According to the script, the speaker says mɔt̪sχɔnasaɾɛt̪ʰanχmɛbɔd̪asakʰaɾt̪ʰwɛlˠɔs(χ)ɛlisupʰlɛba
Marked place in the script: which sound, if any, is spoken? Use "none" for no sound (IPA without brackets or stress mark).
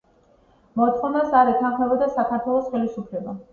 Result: χ